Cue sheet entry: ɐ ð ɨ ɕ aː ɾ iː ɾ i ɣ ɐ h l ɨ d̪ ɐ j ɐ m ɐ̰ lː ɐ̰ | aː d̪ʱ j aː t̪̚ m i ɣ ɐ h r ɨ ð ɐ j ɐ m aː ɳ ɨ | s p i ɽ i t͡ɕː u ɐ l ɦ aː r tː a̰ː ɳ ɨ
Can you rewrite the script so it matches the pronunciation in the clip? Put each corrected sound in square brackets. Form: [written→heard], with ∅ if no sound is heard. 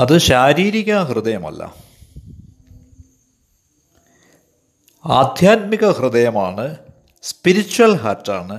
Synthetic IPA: ɐ ð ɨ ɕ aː ɾ iː ɾ i ɣ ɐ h [l→r] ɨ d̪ ɐ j ɐ m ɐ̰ lː ɐ̰ | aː d̪ʱ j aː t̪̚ m i ɣ ɐ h r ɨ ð ɐ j ɐ m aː ɳ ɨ | s p i [ɽ→ɾ] i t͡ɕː u ɐ l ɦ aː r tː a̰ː ɳ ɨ